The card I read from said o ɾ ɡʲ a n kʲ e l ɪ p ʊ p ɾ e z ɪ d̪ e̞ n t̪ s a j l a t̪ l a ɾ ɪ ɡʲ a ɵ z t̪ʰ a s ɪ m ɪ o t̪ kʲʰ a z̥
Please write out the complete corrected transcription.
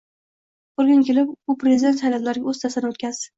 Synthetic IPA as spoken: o ɾ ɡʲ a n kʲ e l ɪ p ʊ p ɾ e z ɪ d̪ e̞ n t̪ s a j l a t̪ l a ɾ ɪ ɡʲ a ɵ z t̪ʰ a s ɪ n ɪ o t̪ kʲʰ a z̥